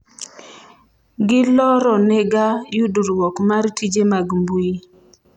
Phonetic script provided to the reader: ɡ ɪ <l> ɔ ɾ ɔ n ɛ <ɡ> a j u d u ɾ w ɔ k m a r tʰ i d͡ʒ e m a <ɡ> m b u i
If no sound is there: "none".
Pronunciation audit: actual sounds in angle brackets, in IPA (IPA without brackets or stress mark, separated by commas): l, ɡ, ɡ